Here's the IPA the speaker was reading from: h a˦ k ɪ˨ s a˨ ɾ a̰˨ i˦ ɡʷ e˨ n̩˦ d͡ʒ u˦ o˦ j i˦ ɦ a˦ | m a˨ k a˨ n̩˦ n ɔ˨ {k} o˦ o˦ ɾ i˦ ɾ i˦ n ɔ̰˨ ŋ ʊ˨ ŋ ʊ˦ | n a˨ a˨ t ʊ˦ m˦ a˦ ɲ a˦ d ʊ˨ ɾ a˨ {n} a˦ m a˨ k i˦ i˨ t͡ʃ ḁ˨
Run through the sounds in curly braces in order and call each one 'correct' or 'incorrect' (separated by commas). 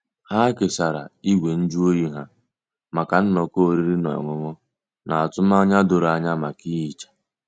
correct, incorrect